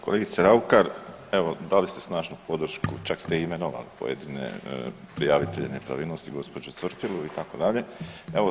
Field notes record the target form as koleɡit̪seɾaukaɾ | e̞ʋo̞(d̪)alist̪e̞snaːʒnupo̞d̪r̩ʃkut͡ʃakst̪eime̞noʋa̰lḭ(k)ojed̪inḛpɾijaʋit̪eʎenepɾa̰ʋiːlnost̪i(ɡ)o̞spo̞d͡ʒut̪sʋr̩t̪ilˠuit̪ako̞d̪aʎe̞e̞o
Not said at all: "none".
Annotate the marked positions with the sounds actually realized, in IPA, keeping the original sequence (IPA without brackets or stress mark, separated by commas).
d̪, p, ɡ